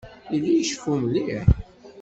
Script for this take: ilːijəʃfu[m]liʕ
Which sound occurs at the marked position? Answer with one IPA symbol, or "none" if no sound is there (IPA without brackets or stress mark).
m